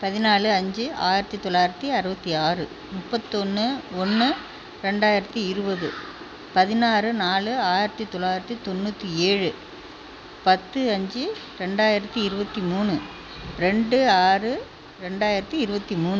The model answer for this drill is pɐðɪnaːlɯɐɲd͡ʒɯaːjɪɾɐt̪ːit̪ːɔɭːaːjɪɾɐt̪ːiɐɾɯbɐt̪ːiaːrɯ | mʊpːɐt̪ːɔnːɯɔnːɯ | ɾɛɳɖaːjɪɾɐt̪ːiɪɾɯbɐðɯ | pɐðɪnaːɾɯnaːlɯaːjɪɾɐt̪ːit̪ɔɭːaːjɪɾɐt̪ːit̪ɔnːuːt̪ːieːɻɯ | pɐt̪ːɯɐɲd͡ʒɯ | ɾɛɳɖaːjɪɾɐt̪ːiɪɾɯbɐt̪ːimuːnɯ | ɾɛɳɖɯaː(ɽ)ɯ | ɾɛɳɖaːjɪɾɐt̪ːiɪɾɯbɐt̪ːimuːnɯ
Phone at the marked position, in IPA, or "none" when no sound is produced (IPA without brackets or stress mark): r